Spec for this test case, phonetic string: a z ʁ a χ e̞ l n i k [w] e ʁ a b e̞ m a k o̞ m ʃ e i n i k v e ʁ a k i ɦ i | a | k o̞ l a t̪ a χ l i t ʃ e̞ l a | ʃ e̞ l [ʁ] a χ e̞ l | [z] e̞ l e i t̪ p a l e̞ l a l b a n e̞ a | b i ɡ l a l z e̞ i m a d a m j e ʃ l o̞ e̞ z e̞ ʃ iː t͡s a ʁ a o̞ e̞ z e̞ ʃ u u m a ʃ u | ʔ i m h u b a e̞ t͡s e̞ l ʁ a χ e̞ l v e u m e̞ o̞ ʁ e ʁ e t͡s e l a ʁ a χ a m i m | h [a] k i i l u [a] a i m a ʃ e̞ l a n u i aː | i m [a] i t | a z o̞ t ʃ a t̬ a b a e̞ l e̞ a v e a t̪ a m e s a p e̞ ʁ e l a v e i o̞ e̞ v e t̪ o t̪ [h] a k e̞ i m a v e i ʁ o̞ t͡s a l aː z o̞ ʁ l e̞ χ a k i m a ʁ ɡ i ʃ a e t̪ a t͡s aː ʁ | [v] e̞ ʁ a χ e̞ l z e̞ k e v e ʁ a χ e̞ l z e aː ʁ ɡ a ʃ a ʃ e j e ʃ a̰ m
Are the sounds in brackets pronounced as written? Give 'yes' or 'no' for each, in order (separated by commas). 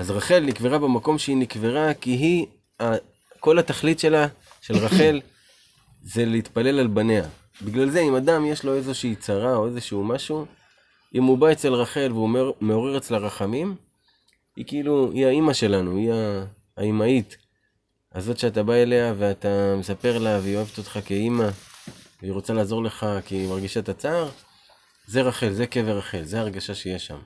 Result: no, yes, yes, no, no, yes, no, no